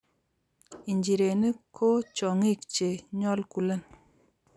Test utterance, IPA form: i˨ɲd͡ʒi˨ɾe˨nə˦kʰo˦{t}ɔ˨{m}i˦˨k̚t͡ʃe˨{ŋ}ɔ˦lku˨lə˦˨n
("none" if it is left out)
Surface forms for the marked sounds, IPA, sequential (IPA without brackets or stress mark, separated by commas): t͡ʃ, ŋ, ɲ